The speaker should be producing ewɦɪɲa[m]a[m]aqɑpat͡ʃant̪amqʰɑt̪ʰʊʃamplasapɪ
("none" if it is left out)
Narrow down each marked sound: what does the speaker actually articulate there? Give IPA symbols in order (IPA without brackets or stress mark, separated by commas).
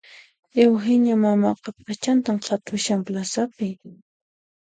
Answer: m, m